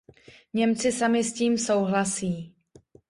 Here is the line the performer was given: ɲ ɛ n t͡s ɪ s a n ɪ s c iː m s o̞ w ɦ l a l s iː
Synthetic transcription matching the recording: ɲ ɛ m t͡s ɪ s a m ɪ s c iː m s o̞ w ɦ l a s iː